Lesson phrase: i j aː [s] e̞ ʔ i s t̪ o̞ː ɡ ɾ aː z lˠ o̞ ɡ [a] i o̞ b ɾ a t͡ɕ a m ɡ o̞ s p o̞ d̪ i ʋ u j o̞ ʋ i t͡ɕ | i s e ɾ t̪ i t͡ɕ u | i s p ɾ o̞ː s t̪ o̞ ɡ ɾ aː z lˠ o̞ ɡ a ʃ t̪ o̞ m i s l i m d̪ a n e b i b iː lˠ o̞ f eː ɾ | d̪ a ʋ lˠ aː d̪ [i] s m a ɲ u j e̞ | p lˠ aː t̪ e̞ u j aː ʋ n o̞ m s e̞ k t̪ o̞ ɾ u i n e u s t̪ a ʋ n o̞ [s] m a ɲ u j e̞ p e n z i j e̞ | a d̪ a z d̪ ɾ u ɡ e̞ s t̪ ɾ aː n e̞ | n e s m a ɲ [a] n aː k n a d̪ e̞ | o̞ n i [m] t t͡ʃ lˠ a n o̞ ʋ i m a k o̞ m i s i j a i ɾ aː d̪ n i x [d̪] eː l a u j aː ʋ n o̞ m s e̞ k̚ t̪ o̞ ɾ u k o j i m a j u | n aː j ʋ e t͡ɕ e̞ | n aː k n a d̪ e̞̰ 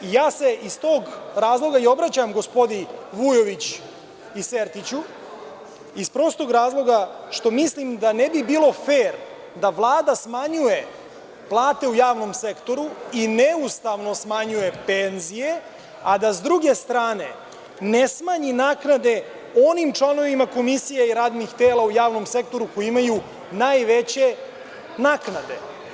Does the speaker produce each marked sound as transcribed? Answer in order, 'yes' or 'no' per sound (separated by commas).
yes, yes, no, yes, no, yes, no